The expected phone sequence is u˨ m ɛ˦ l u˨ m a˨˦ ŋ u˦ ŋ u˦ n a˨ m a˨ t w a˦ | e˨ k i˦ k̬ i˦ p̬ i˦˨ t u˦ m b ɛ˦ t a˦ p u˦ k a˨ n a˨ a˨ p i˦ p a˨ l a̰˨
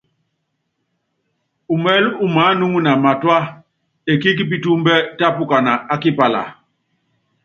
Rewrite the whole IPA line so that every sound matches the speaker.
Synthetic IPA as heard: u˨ m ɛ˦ l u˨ m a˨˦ n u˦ ŋ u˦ n a˨ m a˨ t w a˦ | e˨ k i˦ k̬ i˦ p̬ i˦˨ t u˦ m b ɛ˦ t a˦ p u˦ k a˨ n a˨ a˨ k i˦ p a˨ l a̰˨